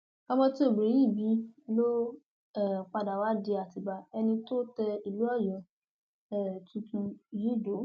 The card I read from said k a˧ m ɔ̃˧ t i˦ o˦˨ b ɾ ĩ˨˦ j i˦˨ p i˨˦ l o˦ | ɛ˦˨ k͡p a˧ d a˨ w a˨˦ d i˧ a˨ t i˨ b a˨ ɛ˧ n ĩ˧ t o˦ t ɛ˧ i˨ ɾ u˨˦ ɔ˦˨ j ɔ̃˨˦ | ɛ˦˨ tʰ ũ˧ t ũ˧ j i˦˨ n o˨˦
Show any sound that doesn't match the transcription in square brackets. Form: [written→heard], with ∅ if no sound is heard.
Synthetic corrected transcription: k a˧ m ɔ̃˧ t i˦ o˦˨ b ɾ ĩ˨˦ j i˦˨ [p→b] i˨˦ l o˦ | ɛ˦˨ k͡p a˧ d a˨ w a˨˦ d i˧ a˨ t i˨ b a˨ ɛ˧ n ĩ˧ t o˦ t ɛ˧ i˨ [ɾ→l] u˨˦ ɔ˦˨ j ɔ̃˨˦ | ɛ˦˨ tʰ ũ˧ t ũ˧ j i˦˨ [n→d] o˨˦